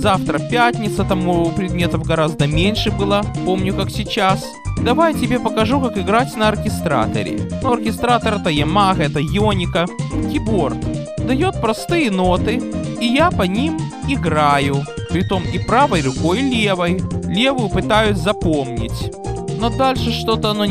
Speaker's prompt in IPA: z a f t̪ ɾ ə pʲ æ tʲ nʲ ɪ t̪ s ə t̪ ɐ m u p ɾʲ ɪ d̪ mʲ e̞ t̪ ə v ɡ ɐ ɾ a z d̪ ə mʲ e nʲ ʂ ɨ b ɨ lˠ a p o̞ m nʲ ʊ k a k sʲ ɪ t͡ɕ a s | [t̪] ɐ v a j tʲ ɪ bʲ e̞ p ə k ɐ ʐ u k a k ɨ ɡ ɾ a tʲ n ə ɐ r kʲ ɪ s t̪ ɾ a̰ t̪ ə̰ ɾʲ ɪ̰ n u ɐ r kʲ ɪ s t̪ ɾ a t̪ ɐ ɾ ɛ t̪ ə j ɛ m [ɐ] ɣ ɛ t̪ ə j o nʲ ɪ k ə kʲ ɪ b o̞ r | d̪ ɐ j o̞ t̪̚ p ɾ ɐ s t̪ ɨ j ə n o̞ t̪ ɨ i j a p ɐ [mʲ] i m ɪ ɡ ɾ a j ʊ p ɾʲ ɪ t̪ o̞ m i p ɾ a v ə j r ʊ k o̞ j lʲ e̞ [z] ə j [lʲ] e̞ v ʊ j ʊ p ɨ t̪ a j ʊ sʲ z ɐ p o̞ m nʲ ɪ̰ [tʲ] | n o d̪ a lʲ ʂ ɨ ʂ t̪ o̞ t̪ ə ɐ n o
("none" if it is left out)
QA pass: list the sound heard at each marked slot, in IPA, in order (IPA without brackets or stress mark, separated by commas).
d̪, a, nʲ, v, lʲ, tʲ